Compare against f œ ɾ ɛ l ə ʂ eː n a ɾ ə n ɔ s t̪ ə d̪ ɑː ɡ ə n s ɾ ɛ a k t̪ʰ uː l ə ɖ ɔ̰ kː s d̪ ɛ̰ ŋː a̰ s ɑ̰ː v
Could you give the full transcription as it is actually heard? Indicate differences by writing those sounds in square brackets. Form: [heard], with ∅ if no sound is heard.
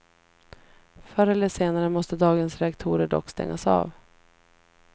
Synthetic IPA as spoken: f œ ɾ ɛ l ə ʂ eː n a ɾ ə [m] ɔ s t̪ ə d̪ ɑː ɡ ə n s ɾ ɛ a k t̪ʰ uː [ɾ] ə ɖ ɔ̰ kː s [t̪] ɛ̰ ŋː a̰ s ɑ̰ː v

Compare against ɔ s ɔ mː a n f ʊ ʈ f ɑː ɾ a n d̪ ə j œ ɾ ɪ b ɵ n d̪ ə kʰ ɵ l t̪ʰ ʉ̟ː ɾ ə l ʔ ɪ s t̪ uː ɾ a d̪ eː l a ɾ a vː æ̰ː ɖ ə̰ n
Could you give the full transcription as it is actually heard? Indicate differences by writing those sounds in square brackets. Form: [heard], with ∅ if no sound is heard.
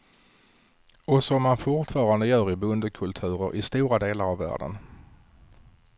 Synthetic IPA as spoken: ɔ s ɔ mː a n f ʊ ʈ f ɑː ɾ a n d̪ ə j [œː] ɾ ɪ b ɵ n d̪ ə kʰ ɵ l t̪ʰ ʉ̟ː ɾ ə [ɾ] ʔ ɪ s t̪ uː ɾ a d̪ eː l a ɾ a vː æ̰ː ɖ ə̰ n

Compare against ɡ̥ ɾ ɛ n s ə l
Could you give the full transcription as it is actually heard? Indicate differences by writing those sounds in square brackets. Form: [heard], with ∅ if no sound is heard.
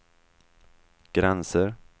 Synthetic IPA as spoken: ɡ̥ ɾ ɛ n s ə [ɾ]

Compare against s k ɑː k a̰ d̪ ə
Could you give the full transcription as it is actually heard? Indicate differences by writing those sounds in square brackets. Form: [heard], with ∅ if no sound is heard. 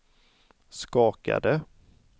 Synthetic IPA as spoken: s k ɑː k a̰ d̪ ə

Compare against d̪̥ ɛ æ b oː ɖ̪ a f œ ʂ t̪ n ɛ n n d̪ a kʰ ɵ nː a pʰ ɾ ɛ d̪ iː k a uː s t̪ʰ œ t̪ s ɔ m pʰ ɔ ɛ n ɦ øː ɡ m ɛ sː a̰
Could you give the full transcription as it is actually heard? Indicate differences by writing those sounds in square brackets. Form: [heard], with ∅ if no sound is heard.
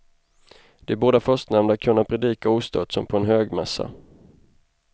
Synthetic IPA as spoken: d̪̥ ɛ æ b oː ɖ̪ a f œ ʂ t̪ n ɛ [m] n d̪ a kʰ ɵ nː a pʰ ɾ ɛ d̪ iː k a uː s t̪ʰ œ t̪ s ɔ m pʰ ɔ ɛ n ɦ øː ɡ m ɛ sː a̰

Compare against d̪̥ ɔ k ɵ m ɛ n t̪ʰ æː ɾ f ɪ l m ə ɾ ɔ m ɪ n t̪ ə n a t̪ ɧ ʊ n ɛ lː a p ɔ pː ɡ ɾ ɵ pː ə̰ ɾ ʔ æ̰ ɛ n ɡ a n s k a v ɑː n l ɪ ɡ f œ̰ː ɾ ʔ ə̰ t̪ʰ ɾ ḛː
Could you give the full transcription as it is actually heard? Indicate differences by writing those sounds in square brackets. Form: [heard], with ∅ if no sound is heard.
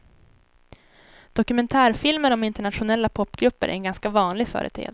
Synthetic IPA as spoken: d̪̥ ɔ k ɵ m ɛ n t̪ʰ æː ɾ f ɪ l m ə ɾ ɔ m ɪ n t̪ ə [ɳ] a t̪ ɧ ʊ n ɛ lː a [pʰ] ɔ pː ɡ ɾ ɵ pː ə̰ ɾ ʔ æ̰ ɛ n ɡ a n s k a v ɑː n l ɪ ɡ f œ̰ː ɾ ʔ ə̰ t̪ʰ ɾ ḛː

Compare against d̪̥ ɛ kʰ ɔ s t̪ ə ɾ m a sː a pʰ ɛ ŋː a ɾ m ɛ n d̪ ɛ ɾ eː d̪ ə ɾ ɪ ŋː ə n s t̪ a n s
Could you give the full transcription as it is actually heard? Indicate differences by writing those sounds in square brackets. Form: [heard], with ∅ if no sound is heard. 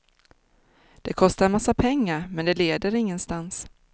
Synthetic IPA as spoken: d̪̥ ɛ kʰ ɔ s t̪ [a] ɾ m a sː a pʰ ɛ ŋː a ɾ m ɛ n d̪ ɛ [l] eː d̪ ə ɾ ɪ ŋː ə n s t̪ a n s

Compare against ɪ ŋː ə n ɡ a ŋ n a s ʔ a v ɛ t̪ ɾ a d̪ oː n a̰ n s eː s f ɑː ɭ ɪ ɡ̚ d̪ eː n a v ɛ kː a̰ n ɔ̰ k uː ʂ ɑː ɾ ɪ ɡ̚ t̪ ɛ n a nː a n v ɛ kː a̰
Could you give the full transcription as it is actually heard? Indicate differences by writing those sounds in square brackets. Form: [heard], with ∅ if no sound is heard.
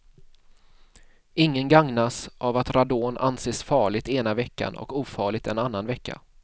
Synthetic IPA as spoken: ɪ ŋː ə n ɡ a ŋ n a s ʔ a v [a] t̪ ɾ a d̪ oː n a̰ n s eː s f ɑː ɭ ɪ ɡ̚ [t̪] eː n a v ɛ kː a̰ n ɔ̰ k uː [f] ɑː [ɭ] ɪ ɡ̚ t̪ ɛ n a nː a n v ɛ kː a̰

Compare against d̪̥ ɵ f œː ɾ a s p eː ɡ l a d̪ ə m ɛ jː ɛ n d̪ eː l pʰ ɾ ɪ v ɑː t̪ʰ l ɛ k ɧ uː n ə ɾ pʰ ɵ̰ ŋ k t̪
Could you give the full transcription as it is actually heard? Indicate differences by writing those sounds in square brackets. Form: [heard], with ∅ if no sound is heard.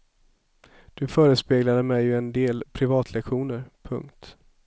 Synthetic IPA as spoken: d̪̥ ɵ f œː ɾ [ə] s p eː ɡ l a d̪ ə m ɛ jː ɛ n d̪ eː l pʰ ɾ ɪ v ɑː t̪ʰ l ɛ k ɧ uː n ə ɾ pʰ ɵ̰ ŋ k t̪

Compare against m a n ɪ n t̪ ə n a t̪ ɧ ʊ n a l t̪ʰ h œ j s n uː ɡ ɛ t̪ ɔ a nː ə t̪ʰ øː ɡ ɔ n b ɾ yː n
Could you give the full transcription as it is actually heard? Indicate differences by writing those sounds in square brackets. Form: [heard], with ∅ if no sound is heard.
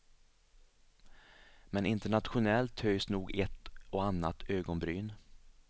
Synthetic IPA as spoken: m [ɛ] n ɪ n t̪ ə [ɳ] a t̪ ɧ ʊ n [ɛ] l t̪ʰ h œ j s n uː ɡ ɛ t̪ ɔ a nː [a] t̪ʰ øː ɡ ɔ n b ɾ yː n

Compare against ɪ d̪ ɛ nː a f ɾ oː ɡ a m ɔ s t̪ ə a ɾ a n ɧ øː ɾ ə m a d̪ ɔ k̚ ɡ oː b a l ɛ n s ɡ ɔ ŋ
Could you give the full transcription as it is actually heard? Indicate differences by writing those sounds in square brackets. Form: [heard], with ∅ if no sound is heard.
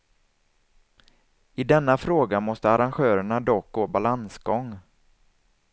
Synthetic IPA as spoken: ɪ d̪ ɛ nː a f ɾ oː ɡ a m ɔ s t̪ ə a ɾ a n ɧ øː ɾ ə [ɳ] a d̪ ɔ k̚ ɡ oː b a l [a] n s ɡ ɔ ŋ

